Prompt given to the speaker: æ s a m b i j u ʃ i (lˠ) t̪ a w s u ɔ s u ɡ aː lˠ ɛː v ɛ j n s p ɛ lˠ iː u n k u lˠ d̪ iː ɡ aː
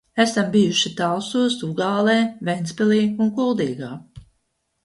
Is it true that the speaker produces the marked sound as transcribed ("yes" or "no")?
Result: no